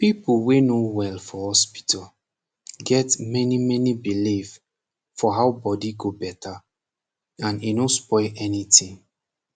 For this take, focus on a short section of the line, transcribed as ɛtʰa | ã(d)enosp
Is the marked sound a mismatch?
yes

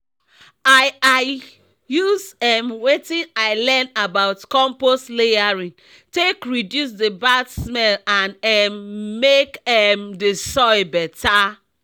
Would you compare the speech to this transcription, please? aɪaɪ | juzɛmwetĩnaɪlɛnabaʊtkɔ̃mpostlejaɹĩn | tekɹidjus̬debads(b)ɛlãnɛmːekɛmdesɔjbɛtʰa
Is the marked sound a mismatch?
yes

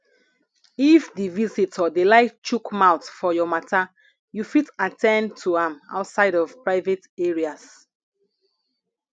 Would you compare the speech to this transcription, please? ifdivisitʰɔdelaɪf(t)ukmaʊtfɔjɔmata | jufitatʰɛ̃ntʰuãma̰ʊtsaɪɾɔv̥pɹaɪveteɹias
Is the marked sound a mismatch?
yes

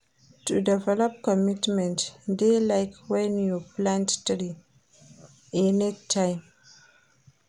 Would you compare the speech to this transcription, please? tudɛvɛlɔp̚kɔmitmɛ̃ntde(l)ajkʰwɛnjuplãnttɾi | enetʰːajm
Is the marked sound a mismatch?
no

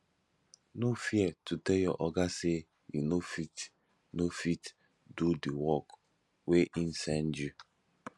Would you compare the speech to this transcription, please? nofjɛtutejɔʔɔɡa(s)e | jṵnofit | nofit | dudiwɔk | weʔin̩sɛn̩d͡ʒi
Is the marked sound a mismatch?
no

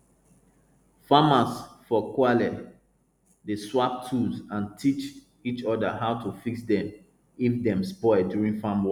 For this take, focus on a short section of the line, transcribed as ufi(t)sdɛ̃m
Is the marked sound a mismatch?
yes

